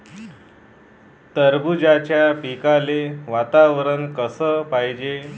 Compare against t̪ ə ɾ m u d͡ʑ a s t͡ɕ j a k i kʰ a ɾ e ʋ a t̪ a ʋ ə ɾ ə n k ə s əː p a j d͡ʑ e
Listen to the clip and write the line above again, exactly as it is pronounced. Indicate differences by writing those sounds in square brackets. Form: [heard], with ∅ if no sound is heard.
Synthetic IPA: t̪ ə ɾ [b] u d͡ʑ a [∅] t͡ɕ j a [p] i [k] a [l] e ʋ a t̪ a ʋ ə ɾ ə n k ə s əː p a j d͡ʑ e